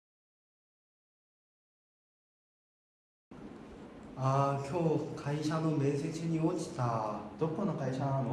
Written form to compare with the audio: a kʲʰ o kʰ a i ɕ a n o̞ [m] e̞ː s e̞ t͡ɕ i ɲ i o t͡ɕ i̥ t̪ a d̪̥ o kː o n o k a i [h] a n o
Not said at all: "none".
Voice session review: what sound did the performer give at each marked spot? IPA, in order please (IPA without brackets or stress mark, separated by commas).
m, ɕ